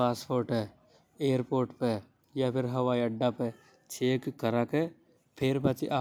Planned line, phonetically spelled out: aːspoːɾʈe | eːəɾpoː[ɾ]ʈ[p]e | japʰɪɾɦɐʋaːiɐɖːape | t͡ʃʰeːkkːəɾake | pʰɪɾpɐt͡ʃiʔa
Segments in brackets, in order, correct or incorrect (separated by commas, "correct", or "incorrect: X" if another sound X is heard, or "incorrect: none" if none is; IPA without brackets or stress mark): correct, correct